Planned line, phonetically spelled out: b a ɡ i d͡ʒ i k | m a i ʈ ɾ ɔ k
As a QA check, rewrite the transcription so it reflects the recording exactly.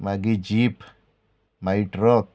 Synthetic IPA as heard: m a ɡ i d͡ʒ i p | m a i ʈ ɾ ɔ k